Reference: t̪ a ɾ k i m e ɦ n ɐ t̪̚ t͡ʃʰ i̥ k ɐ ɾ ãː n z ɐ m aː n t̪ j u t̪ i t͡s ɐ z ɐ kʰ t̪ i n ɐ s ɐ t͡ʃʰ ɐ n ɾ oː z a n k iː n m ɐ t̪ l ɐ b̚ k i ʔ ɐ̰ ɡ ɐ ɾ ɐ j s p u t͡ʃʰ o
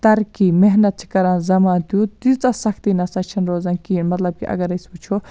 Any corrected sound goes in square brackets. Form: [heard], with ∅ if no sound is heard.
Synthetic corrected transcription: t̪ [ɐ] ɾ k i m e ɦ n ɐ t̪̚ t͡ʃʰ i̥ k ɐ ɾ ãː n z ɐ m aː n t̪ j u t̪ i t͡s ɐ [s] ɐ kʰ t̪ i n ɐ s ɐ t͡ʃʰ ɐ n ɾ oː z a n k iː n m ɐ t̪ l ɐ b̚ k i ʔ ɐ̰ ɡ ɐ ɾ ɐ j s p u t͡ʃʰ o